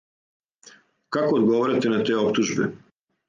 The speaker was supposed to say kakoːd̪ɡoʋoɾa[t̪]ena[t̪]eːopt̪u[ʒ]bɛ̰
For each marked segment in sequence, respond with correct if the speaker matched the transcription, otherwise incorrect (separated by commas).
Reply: correct, correct, correct